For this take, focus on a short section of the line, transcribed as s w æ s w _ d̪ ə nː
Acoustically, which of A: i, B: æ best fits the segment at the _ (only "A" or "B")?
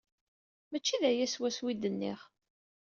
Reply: A